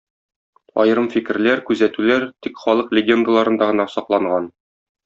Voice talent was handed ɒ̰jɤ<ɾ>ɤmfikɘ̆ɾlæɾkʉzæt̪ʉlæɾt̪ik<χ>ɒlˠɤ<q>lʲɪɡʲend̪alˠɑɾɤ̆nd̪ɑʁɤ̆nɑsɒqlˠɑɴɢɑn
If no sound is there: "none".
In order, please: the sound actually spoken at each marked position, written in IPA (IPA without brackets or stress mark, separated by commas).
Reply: ɾ, χ, q